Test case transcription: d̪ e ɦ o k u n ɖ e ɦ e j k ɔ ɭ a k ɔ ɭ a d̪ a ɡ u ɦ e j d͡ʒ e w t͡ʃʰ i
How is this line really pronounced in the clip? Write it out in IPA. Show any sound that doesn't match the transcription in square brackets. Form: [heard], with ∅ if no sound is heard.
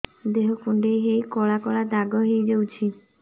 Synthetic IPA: d̪ e ɦ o k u [ɳ] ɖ e ɦ e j k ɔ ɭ a k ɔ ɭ a d̪ a ɡ [ɔ] ɦ e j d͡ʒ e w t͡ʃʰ i